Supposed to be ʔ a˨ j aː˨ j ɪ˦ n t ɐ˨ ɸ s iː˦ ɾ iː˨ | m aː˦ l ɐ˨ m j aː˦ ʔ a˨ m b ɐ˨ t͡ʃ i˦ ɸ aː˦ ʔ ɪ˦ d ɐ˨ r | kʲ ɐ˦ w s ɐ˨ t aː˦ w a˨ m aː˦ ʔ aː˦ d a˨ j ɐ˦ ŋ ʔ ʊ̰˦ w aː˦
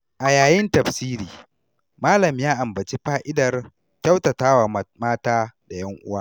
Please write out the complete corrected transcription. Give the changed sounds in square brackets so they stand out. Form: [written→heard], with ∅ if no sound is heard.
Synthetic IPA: ʔ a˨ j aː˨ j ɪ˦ n t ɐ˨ ɸ s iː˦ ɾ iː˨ | m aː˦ l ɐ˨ m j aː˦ ʔ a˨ m b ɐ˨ t͡ʃ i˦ ɸ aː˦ ʔ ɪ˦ d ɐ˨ r | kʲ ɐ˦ w [s→t] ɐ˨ t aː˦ w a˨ m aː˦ [ʔ→t] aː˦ d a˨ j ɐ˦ ŋ ʔ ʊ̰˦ w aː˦

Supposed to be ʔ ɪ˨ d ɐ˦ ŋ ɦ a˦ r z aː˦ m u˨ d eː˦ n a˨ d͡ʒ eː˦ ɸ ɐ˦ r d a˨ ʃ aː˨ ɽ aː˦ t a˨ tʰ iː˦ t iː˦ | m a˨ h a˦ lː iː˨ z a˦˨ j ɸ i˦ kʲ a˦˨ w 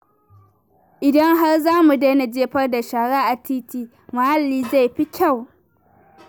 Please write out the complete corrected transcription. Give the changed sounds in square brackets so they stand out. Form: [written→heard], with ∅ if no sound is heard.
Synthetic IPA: ʔ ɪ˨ d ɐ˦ ŋ ɦ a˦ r z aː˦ m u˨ d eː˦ n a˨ d͡ʒ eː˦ ɸ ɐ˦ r d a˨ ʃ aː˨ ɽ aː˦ [t→ʔ] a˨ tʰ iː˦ t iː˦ | m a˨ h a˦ lː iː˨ z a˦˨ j ɸ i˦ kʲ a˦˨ w

